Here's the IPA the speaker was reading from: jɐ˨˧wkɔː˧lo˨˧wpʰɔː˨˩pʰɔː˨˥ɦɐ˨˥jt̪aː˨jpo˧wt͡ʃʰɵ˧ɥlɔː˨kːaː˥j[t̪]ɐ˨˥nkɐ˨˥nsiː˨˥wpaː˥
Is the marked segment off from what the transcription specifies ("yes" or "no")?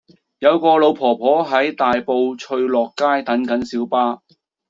no